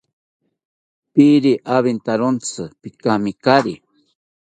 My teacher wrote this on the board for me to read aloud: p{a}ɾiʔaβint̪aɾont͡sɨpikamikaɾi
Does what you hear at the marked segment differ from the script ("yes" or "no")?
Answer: yes